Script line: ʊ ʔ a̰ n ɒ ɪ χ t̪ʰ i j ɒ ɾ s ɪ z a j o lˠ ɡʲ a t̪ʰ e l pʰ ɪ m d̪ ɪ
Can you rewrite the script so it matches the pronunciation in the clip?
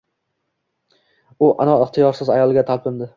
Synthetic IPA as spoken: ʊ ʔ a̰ n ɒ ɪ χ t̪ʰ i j ɒ ɾ s ɪ z a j ɒ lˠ ɡʲ a t̪ʰ a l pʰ ɪ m d̪ ɪ